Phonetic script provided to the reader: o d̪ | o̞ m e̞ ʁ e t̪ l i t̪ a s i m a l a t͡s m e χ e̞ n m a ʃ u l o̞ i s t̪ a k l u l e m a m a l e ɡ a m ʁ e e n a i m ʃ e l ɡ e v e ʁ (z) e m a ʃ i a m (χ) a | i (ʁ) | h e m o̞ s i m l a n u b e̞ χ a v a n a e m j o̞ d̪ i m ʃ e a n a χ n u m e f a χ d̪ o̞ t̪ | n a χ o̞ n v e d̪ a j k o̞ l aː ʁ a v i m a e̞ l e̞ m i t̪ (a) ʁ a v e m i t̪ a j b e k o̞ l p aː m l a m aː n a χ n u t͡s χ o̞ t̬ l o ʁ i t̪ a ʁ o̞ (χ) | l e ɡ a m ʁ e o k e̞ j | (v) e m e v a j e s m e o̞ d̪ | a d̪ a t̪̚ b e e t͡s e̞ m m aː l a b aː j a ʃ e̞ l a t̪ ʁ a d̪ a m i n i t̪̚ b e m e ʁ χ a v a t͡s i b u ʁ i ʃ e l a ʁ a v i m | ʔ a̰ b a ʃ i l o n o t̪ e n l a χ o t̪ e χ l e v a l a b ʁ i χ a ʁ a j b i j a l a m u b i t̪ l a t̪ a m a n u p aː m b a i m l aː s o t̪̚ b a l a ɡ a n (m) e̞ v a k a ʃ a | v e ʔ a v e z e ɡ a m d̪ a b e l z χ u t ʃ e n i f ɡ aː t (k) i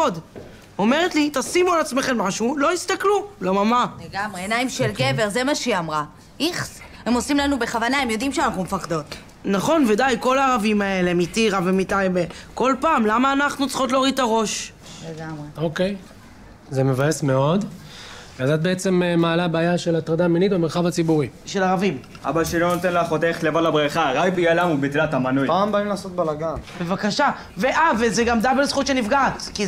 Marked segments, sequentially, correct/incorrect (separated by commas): correct, incorrect, incorrect, incorrect, incorrect, incorrect, incorrect, correct